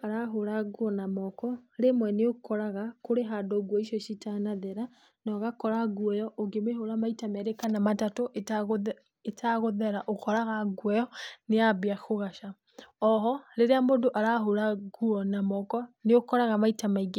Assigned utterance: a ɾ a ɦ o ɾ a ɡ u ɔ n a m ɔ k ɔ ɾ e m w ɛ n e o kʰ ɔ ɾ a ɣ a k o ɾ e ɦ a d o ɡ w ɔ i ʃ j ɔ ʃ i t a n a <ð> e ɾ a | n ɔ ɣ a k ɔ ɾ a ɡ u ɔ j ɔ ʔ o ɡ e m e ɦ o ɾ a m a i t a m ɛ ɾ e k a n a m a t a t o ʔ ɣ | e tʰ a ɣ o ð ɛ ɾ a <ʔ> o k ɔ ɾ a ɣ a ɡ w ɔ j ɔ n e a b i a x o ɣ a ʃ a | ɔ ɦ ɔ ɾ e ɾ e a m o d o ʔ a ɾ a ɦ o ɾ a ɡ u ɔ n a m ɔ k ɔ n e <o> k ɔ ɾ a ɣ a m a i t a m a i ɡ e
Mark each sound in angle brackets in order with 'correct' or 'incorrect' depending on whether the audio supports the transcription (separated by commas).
correct, correct, correct